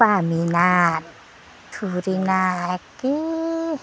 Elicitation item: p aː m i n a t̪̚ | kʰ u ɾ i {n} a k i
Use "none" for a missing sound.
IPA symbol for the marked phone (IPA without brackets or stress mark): n